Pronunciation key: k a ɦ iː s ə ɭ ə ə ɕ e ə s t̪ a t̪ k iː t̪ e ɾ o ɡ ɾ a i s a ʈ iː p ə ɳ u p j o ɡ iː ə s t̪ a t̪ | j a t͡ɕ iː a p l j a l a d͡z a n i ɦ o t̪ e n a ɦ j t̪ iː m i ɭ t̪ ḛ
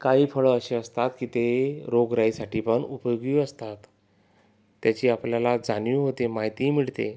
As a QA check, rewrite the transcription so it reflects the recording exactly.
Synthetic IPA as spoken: k a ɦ iː f ə ɭ ə ə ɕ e ə s t̪ a t̪ k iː t̪ e ɾ o ɡ ɾ a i s a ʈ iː p ə ɳ u p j o ɡ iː ə s t̪ a t̪ | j a t͡ɕ iː a p l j a l a d͡z a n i ɦ o t̪ e m a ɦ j t̪ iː m i ɭ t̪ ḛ